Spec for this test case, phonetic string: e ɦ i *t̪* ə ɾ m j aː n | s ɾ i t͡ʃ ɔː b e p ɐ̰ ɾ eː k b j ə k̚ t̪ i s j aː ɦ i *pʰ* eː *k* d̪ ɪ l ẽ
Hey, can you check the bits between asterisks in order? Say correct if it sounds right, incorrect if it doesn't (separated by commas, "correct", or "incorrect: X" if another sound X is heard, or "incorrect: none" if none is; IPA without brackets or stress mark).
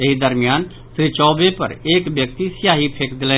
incorrect: d̪, correct, correct